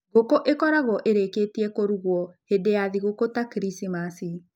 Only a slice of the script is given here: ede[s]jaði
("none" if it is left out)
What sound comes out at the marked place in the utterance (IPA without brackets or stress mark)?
none